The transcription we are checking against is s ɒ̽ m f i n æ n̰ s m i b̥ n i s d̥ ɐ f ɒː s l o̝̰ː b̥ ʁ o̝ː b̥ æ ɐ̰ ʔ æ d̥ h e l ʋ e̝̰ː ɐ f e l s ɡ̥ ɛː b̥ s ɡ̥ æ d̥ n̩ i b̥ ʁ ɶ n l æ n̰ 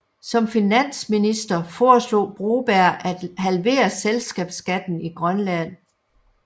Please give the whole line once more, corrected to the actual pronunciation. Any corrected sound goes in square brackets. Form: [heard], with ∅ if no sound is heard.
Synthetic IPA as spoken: s ɒ̽ m f i n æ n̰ s m i [∅] n i s d̥ ɐ f ɒː s l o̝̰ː b̥ ʁ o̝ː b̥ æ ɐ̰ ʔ æ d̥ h [æ] l ʋ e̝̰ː ɐ [s] e l s ɡ̥ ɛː b̥ s ɡ̥ æ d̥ n̩ i [ɡ̥] ʁ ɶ n l æ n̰